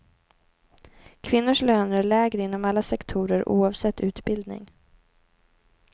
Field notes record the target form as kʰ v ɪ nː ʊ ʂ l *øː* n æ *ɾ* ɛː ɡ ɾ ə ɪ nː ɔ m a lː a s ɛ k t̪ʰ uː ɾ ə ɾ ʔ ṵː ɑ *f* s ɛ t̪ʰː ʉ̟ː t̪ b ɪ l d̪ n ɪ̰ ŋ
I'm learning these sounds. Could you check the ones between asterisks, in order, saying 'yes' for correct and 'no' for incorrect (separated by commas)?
yes, no, no